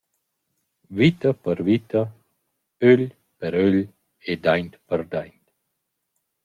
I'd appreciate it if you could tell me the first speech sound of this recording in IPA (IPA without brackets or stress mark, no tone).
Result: v